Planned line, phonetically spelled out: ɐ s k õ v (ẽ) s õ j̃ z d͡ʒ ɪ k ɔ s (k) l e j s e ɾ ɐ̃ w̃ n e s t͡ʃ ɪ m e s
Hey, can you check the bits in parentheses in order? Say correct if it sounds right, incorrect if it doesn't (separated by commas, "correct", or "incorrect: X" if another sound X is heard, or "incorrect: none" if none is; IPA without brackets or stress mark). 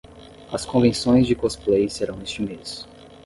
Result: correct, incorrect: p